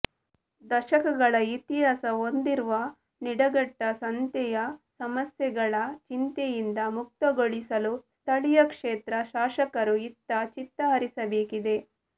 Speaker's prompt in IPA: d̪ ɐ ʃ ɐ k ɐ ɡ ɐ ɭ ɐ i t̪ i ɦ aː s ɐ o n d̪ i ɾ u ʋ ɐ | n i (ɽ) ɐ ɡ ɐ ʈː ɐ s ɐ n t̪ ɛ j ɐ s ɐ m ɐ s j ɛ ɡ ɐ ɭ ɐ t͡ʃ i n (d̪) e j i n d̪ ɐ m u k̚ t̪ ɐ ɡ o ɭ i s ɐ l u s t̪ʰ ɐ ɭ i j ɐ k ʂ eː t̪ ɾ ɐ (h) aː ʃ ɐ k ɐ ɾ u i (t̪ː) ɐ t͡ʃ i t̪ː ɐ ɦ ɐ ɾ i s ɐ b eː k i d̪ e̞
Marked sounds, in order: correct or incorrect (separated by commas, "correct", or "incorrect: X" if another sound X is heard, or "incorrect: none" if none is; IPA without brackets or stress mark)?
correct, incorrect: t̪, incorrect: ʃ, correct